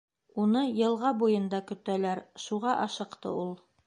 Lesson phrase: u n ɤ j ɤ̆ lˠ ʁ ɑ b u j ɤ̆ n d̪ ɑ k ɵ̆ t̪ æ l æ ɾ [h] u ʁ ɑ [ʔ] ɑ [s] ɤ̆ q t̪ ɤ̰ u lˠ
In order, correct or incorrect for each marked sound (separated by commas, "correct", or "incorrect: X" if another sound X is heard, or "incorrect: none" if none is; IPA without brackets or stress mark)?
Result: incorrect: ʃ, correct, incorrect: ʃ